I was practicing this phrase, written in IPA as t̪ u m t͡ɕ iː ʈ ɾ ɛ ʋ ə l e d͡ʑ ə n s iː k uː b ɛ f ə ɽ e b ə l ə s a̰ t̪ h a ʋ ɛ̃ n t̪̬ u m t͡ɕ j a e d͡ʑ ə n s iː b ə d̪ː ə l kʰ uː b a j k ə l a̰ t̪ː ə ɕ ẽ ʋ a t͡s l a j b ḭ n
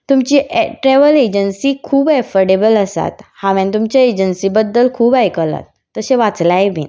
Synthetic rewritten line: t̪ u m t͡ɕ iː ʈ ɾ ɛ ʋ ə l e d͡ʑ ə n s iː kʰ uː b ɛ f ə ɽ e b ə l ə s a̰ t̪ h a ʋ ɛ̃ n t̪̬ u m t͡ɕ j a e d͡ʑ ə n s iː b ə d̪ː ə l kʰ uː b a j k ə l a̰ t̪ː ə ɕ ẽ ʋ a t͡s l a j b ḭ n